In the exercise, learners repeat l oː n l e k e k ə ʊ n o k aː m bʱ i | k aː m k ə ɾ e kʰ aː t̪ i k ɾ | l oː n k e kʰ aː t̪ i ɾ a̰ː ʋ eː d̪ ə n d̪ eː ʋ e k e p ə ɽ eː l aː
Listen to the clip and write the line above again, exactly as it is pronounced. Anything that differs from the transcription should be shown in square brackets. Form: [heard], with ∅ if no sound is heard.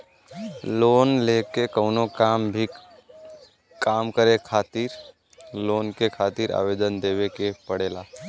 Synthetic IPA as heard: l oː n l e k e k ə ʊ n o k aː m bʱ i | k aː m k ə ɾ e kʰ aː t̪ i [∅] ɾ | l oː n k e kʰ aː t̪ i ɾ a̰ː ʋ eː d̪ ə n d̪ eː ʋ e k e p ə ɽ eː l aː

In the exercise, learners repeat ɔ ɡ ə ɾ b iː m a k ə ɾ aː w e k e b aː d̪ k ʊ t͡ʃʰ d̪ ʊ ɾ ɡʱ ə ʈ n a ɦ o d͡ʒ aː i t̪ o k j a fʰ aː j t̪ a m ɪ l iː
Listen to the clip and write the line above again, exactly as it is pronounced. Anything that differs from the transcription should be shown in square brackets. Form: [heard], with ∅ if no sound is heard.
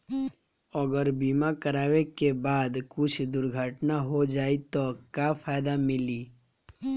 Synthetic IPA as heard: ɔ ɡ ə ɾ b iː m a k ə ɾ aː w e k e b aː d̪ k ʊ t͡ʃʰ d̪ ʊ ɾ ɡʱ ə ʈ n a ɦ o d͡ʒ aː i t̪ o k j a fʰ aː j [d̪] a m ɪ l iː

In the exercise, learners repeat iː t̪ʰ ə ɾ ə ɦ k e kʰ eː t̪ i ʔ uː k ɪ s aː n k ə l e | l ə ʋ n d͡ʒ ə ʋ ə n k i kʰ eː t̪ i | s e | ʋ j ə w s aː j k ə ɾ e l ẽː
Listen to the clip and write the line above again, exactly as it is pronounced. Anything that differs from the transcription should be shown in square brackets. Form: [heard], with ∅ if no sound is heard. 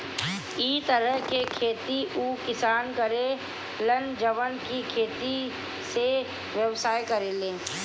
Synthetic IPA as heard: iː [t̪] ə ɾ ə ɦ k e kʰ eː t̪ i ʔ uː k ɪ s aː n k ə [ɾ] e | l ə [∅] n d͡ʒ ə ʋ ə n k i kʰ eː t̪ i | s e | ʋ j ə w s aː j k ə ɾ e l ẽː

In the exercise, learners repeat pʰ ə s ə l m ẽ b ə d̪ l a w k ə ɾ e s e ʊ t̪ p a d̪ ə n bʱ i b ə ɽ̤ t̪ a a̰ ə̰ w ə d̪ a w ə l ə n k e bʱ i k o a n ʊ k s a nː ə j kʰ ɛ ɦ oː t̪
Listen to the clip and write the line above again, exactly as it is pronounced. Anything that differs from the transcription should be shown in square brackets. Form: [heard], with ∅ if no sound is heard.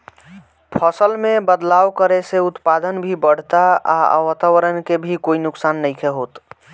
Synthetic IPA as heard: pʰ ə s ə l m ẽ b ə d̪ l a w k ə ɾ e s e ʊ t̪ p a d̪ ə n bʱ i b ə ɽ̤ t̪ a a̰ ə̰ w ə [t̪] a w ə [ɾ] ə n k e bʱ i k o [i] n ʊ k s a nː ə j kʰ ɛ ɦ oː t̪

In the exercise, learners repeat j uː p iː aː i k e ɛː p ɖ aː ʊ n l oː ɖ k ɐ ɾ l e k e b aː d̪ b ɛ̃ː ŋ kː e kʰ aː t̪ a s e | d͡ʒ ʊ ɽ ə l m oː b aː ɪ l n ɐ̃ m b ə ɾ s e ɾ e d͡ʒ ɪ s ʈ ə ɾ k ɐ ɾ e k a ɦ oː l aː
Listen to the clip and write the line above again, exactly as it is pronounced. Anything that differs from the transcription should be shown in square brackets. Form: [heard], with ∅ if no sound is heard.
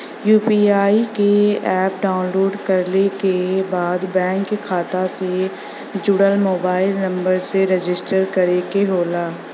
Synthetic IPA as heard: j uː p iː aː i k e ɛː p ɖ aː ʊ n l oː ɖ k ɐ ɾ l e k e b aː d̪ b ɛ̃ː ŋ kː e kʰ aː t̪ a s e | d͡ʒ ʊ ɽ ə l m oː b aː ɪ l n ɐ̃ m b ə ɾ s e ɾ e d͡ʒ ɪ s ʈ ə ɾ k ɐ ɾ e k [e] ɦ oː l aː

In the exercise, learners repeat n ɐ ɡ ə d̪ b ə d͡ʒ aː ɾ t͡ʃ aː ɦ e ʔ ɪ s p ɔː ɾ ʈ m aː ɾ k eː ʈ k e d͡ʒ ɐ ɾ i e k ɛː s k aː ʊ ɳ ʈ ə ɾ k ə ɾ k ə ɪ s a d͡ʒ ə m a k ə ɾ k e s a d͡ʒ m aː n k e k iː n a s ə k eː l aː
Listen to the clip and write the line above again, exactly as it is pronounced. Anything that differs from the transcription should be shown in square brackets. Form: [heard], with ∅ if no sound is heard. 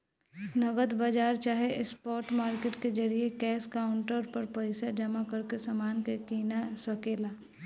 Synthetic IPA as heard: n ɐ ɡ ə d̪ b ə d͡ʒ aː ɾ t͡ʃ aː ɦ e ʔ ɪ s p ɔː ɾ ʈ m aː ɾ k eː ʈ k e d͡ʒ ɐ ɾ i e k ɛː s k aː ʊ ɳ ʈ ə ɾ [p] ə ɾ [p] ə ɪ s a d͡ʒ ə m a k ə ɾ k e s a [∅] m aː n k e k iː n a s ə k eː l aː

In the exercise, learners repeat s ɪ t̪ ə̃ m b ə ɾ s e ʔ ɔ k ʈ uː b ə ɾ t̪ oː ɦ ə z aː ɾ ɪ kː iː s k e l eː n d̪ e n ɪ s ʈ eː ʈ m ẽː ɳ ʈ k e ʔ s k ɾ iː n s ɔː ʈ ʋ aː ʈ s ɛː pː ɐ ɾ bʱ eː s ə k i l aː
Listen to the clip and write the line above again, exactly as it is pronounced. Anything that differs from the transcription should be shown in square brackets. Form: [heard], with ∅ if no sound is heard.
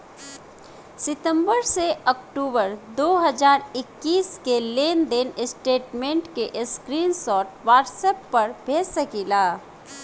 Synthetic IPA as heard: s ɪ t̪ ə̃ m b ə ɾ s e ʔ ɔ k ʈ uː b ə ɾ [d̪] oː ɦ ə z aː ɾ ɪ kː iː s k e l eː n d̪ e n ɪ s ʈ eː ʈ m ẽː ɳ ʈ k e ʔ s k ɾ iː n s ɔː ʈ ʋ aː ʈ s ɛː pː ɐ ɾ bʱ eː s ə k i l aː

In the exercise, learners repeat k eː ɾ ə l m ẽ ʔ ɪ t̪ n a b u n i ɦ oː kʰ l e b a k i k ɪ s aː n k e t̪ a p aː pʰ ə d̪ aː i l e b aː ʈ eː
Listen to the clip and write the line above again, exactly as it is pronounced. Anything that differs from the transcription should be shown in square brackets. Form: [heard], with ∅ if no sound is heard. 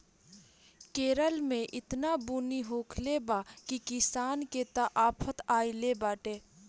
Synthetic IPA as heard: k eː ɾ ə l m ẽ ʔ ɪ t̪ n a b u n i ɦ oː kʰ l e b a k i k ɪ s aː n k e t̪ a [ʔ] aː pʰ ə [t̪] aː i l e b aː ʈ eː

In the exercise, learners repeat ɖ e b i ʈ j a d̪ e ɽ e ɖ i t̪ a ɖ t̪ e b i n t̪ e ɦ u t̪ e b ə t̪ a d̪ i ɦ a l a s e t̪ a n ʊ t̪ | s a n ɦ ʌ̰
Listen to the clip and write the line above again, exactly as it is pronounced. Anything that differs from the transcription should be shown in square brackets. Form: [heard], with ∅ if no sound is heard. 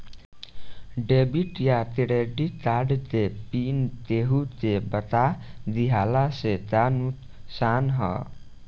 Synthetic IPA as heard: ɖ e b i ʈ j a [t̪] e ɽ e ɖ i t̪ a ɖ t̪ e [p] i n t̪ e ɦ u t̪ e b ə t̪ a d̪ i ɦ a l a s e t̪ a n [u] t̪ | s a n ɦ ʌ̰

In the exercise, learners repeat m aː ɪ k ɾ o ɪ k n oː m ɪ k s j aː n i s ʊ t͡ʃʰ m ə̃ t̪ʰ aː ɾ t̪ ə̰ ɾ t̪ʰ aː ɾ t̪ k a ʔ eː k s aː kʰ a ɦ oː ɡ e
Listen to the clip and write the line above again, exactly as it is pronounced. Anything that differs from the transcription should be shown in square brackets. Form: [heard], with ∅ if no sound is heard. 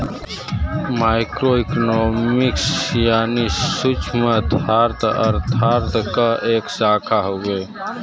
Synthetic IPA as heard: m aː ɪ k ɾ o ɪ k n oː m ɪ k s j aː n i s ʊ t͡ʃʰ m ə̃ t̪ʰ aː ɾ t̪ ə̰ ɾ t̪ʰ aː ɾ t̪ k a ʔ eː k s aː kʰ a ɦ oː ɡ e

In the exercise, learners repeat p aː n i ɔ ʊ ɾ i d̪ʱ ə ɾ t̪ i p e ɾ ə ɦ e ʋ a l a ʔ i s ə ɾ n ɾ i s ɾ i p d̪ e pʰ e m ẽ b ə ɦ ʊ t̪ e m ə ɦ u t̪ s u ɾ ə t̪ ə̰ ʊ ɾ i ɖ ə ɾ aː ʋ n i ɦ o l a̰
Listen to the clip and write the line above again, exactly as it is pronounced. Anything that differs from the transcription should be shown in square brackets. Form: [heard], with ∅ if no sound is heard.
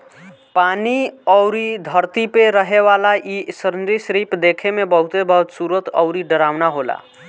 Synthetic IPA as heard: p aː n i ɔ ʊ ɾ i d̪ʱ ə ɾ t̪ i p e ɾ ə ɦ e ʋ a l a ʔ i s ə ɾ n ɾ i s ɾ i p d̪ e [kʰ] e m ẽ b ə ɦ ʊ t̪ e [b] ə ɦ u t̪ s u ɾ ə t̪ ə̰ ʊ ɾ i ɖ ə ɾ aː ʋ n [a] ɦ o l a̰

